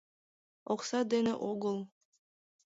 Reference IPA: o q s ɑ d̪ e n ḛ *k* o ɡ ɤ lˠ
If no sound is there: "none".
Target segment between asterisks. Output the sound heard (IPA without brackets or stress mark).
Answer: ʔ